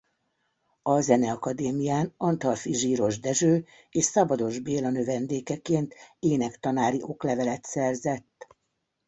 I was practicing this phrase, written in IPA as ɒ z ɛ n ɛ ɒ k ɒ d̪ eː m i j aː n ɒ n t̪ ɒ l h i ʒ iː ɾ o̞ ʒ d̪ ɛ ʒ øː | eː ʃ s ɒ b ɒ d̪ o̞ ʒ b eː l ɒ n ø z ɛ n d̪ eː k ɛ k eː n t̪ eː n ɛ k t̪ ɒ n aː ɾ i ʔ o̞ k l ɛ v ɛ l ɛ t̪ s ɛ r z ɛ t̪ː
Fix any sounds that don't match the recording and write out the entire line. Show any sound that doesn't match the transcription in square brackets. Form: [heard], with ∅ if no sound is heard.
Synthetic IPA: ɒ z ɛ n ɛ ɒ k ɒ d̪ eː m i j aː n ɒ n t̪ ɒ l [f] i ʒ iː ɾ o̞ ʒ d̪ ɛ ʒ øː | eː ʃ s ɒ b ɒ d̪ o̞ ʒ b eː l ɒ n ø [v] ɛ n d̪ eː k ɛ k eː n t̪ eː n ɛ k t̪ ɒ n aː ɾ i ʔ o̞ k l ɛ v ɛ l ɛ t̪ s ɛ r z ɛ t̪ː